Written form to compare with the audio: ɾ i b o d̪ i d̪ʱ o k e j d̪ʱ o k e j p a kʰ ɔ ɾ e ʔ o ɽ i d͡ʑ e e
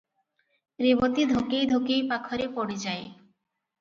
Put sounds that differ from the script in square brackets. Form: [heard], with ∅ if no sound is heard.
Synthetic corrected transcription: ɾ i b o [t̪] i d̪ʱ o k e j d̪ʱ o k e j p a kʰ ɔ ɾ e [p] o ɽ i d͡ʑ [a] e